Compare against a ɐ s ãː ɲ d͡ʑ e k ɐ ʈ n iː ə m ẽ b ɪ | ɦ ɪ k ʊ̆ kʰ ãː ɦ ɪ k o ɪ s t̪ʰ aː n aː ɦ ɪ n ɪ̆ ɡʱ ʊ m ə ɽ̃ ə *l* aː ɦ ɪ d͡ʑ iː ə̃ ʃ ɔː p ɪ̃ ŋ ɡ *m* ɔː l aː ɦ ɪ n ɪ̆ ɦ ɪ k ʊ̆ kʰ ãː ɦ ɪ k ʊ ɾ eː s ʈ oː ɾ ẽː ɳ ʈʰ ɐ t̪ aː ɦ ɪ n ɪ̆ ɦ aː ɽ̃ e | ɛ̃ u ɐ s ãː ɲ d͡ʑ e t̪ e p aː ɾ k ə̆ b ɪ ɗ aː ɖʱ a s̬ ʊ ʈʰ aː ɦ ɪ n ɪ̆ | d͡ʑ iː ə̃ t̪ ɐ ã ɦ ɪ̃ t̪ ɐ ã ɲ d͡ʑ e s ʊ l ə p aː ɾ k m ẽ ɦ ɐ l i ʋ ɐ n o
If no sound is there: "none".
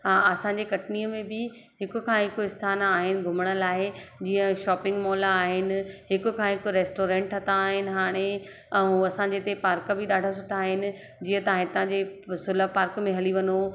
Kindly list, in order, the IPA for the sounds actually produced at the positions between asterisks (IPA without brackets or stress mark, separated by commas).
l, m